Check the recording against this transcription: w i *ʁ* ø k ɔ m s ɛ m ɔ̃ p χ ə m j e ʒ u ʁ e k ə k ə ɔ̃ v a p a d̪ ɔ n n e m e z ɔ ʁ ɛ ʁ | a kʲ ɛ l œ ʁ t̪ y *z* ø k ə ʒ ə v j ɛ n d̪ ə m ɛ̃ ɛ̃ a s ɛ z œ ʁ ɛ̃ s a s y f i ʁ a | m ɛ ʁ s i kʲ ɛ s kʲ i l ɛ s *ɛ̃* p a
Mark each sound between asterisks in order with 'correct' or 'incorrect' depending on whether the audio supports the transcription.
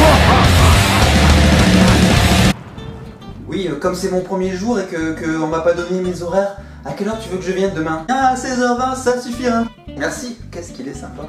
incorrect: none, incorrect: v, correct

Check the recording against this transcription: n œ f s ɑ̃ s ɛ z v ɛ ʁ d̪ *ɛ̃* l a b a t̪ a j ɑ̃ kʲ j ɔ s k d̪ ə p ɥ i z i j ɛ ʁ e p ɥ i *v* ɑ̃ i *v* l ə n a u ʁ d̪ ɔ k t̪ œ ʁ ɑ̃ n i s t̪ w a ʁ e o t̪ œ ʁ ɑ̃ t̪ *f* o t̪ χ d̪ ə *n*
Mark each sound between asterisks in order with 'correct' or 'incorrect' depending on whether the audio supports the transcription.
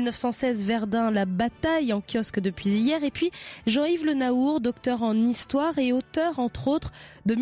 correct, incorrect: ʒ, correct, incorrect: χ, incorrect: m

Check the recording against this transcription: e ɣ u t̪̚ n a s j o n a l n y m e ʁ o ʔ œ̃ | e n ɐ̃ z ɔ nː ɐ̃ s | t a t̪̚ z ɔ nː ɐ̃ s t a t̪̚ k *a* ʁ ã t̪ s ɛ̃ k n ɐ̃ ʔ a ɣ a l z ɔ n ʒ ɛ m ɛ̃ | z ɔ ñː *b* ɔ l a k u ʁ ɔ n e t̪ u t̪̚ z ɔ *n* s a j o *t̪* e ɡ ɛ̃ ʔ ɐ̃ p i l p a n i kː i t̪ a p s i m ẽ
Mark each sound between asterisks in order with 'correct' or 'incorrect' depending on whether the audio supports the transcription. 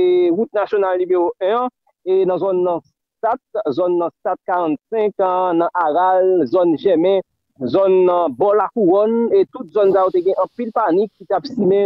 correct, correct, correct, correct

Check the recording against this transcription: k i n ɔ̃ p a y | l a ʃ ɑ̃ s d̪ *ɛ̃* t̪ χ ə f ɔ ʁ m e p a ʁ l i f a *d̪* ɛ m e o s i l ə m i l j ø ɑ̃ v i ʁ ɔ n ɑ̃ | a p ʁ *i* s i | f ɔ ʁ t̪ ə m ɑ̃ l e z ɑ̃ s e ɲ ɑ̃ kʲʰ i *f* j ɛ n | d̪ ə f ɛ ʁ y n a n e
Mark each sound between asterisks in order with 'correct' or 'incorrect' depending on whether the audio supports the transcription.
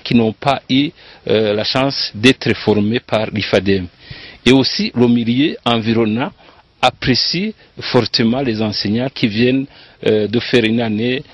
incorrect: ɛ, correct, incorrect: e, incorrect: v

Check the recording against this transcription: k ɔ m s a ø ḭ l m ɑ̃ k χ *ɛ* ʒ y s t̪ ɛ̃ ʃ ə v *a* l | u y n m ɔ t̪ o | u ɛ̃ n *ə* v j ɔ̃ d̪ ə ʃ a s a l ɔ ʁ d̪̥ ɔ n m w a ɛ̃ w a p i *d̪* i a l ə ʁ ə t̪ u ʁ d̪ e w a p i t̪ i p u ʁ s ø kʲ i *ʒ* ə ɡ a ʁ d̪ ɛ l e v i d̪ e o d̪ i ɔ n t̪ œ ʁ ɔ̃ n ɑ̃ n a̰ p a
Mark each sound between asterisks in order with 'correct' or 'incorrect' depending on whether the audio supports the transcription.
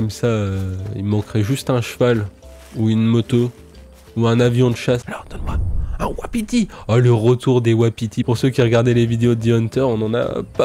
correct, correct, incorrect: a, incorrect: t̪, incorrect: ʁ

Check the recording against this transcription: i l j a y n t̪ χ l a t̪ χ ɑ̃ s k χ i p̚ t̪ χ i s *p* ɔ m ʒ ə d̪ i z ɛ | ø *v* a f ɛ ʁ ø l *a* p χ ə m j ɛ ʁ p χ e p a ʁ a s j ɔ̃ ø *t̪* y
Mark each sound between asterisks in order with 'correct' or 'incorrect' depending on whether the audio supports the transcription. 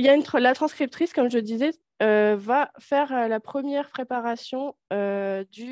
incorrect: k, correct, correct, incorrect: d̪

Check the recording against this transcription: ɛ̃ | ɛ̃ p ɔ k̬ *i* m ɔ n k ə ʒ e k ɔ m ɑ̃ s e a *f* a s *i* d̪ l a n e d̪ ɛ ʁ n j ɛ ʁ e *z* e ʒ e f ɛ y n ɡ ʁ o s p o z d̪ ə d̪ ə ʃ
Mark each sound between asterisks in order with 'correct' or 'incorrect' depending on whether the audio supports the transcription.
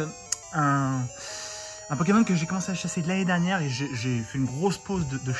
incorrect: e, incorrect: ʃ, incorrect: e, incorrect: ʒ

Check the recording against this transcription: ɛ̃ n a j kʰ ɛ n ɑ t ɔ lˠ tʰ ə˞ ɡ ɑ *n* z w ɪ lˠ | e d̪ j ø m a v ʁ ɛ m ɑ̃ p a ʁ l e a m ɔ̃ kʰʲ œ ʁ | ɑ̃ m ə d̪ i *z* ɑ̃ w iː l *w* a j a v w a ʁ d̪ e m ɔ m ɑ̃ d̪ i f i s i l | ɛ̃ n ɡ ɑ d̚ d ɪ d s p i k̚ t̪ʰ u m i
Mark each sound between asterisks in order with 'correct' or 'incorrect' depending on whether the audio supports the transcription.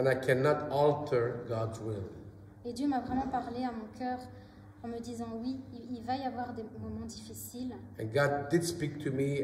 incorrect: d, correct, incorrect: v

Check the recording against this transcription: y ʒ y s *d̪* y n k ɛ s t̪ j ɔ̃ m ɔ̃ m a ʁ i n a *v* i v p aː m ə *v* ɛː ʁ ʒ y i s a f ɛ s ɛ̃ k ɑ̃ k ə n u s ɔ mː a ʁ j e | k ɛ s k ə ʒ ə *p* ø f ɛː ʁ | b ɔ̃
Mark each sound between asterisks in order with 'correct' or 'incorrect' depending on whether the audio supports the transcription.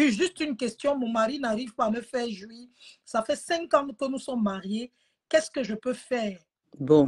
incorrect: t̪, incorrect: ʁ, incorrect: f, correct

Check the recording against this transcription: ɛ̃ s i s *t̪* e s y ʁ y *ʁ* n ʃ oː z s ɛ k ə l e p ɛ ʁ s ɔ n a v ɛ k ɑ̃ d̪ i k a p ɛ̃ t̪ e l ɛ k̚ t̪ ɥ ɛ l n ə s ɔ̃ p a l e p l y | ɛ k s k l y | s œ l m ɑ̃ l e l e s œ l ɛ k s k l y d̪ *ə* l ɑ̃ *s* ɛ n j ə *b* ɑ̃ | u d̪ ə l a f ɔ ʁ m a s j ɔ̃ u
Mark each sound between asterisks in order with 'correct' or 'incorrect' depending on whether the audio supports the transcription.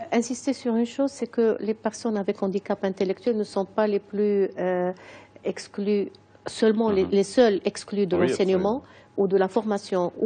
correct, incorrect: none, correct, correct, incorrect: m

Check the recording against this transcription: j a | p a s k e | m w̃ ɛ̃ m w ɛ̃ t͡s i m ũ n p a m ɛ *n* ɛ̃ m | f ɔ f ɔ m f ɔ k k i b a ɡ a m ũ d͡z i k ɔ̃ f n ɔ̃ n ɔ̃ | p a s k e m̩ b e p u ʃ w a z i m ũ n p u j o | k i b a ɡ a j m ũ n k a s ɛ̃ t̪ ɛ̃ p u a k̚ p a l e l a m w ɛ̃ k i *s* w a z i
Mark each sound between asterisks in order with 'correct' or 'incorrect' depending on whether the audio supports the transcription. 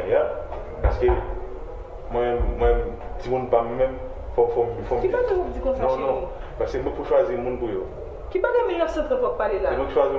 incorrect: m, incorrect: ʃ

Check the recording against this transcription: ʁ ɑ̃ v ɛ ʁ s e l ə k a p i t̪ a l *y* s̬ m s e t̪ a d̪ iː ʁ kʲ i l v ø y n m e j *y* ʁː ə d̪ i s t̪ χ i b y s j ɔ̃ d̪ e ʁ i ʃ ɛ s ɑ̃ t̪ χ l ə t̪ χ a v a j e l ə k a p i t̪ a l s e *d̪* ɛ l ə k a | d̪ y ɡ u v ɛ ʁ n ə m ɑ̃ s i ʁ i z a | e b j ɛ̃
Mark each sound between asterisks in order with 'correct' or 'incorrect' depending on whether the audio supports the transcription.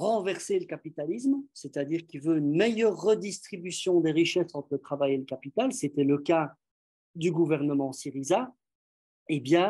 incorrect: i, incorrect: œ, incorrect: t̪

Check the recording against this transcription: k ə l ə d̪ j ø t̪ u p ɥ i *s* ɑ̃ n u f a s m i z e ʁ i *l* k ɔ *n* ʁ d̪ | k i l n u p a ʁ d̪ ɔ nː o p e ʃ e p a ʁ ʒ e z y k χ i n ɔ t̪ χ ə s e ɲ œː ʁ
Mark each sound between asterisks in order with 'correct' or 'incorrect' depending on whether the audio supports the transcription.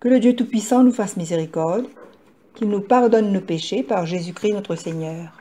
correct, incorrect: none, incorrect: none

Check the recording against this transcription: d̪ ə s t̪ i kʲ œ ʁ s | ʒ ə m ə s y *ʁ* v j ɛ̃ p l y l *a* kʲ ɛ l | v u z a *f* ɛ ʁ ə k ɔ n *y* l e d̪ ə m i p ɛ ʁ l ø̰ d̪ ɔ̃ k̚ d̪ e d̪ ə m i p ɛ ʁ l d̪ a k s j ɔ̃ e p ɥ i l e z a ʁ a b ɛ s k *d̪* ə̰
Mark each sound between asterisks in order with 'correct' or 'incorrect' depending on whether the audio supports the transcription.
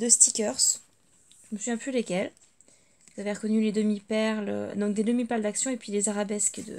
incorrect: none, incorrect: e, incorrect: v, correct, correct

